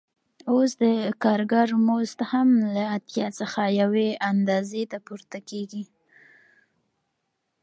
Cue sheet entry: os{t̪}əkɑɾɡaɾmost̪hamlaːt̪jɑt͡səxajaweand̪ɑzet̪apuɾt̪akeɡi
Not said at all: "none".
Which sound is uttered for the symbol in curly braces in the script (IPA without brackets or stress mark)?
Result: d̪